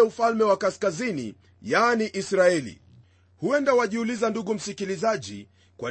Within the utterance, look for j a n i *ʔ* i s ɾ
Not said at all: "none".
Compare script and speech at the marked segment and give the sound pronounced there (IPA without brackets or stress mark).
ʔ